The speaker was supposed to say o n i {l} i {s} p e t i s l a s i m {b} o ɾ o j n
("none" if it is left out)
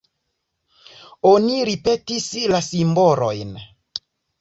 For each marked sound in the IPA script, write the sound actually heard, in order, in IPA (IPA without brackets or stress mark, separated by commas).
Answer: ɾ, none, b